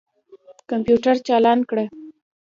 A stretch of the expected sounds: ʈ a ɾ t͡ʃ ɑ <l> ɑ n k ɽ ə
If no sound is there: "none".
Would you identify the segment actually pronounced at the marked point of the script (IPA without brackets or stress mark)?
l